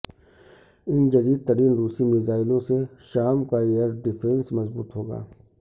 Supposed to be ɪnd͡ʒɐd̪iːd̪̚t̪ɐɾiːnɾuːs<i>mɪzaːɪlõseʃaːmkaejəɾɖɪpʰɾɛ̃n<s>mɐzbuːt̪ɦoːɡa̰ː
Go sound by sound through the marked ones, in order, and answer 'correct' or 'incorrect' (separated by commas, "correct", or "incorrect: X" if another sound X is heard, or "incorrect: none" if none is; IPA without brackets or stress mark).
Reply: correct, correct